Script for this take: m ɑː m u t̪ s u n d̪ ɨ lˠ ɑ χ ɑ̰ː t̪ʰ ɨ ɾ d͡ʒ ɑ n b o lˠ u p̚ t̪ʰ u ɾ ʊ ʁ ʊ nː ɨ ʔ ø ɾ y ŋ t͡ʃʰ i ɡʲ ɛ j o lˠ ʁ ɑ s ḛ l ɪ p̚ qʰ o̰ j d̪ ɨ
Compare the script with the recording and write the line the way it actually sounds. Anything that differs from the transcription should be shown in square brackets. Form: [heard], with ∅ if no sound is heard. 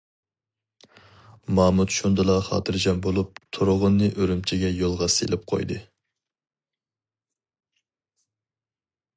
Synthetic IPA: m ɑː m u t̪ [ʃ] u n d̪ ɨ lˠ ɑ χ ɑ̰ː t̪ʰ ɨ ɾ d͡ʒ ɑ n b o lˠ u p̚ t̪ʰ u ɾ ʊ ʁ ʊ nː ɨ ʔ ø ɾ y [m] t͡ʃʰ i ɡʲ ɛ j o lˠ ʁ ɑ s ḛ l ɪ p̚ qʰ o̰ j d̪ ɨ